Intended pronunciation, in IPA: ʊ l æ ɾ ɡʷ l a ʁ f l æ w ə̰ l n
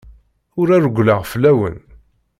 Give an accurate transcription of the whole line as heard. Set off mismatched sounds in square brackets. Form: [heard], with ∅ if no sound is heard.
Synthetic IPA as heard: ʊ [ɾ] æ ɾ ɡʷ l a ʁ f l æ w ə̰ [∅] n